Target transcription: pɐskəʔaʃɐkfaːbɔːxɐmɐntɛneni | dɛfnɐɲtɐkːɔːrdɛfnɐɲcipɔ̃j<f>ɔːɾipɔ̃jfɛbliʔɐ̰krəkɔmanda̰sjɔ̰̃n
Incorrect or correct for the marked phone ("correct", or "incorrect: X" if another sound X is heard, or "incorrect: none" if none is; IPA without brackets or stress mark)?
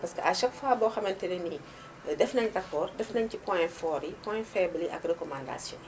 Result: correct